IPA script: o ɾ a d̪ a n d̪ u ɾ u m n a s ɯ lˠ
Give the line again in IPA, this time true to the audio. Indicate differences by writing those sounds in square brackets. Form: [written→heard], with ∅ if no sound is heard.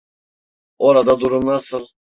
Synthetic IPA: o ɾ a d̪ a [n→∅] d̪ u ɾ u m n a s ɯ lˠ